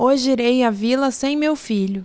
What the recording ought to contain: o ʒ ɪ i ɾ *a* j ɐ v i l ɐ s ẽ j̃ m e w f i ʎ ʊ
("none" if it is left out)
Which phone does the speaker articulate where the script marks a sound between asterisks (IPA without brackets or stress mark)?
e